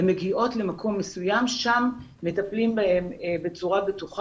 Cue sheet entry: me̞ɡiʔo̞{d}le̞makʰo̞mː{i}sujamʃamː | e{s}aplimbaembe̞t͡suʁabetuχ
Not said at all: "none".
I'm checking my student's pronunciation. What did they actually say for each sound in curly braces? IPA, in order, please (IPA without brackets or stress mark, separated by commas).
t, e, t